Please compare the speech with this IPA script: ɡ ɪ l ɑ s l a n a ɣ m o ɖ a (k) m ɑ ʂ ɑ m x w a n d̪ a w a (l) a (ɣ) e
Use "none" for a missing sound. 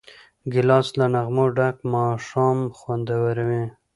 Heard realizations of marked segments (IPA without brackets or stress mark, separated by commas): k, ɾ, w